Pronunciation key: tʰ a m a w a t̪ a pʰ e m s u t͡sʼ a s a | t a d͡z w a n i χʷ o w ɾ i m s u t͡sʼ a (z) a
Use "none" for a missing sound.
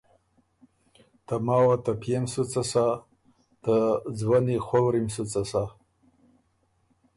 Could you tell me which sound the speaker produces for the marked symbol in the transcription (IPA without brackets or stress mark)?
s